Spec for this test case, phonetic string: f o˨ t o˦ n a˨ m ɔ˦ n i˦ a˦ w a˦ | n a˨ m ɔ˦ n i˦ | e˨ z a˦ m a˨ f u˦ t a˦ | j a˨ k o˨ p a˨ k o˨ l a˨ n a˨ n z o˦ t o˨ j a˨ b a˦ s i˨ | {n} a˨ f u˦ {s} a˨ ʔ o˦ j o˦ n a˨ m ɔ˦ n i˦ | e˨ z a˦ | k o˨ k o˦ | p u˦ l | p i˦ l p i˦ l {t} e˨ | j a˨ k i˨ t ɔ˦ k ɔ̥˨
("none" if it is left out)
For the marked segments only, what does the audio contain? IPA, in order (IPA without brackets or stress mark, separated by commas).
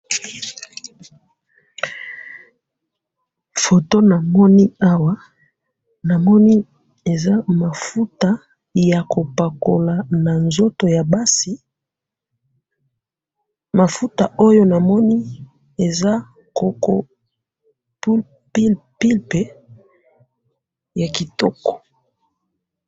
m, t, p